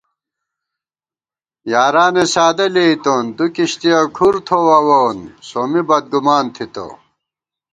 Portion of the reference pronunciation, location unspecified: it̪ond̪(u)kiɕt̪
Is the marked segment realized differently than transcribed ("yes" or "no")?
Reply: no